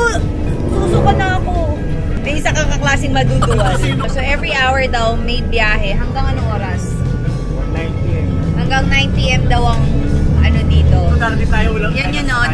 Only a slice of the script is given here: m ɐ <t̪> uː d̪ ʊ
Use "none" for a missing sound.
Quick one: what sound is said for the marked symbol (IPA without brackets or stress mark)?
d̪